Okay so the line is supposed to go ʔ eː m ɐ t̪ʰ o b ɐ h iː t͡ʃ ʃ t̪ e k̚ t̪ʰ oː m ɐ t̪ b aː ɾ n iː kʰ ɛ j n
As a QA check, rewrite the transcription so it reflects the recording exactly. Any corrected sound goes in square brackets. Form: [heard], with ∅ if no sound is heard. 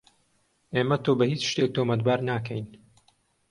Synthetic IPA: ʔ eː m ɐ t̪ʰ o b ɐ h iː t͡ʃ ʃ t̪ e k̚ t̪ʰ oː m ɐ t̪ b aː ɾ n [aː] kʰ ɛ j n